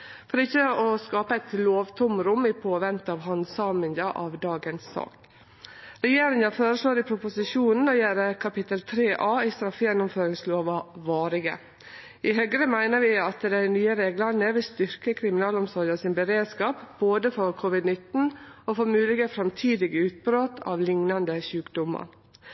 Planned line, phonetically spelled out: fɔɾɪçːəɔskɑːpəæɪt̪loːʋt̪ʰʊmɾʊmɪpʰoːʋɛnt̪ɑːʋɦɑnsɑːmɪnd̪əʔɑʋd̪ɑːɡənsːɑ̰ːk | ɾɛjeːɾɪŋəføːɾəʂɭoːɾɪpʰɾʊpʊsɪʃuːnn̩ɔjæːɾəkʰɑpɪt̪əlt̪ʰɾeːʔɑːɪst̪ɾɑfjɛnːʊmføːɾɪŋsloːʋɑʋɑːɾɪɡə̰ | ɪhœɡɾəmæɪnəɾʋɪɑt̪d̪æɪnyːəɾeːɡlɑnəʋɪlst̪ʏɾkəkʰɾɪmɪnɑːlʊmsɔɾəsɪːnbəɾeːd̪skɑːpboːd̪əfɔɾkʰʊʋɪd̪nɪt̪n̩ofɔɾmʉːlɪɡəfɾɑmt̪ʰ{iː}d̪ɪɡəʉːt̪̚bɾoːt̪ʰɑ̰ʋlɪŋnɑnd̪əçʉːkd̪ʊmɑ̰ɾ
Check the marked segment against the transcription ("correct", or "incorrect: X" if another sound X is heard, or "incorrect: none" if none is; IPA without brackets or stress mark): correct